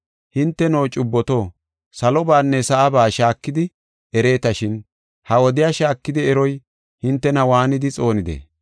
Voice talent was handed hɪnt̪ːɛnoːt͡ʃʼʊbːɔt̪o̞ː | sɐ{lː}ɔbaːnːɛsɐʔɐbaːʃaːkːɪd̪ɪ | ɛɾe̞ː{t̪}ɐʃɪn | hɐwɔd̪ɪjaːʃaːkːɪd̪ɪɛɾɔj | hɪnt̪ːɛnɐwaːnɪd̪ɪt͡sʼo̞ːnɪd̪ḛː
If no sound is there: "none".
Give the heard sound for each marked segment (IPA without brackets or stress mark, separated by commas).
l, t̪